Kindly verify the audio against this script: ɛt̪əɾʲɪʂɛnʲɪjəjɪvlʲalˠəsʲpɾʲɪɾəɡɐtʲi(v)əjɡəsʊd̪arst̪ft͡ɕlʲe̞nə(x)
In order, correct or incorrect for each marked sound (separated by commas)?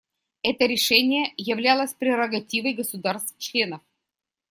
correct, incorrect